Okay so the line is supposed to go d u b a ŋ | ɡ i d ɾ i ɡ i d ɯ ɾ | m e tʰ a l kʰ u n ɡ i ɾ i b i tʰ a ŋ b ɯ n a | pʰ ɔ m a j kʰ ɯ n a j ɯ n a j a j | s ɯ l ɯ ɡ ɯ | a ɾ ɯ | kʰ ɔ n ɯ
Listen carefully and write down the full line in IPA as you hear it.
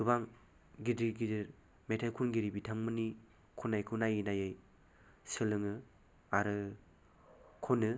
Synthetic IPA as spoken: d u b a ŋ | ɡ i d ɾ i ɡ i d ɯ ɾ | m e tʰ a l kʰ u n ɡ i ɾ i b i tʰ a ŋ m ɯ n i | kʰ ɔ n a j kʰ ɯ n a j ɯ n a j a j | s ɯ l ɯ ŋ ɯ | a ɾ ɯ | kʰ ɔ n ɯ